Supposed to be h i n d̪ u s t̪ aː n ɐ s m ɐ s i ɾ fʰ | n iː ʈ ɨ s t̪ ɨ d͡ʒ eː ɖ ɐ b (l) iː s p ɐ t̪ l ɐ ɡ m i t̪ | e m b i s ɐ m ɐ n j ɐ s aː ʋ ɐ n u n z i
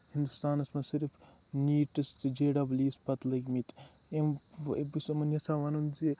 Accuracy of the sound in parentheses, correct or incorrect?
correct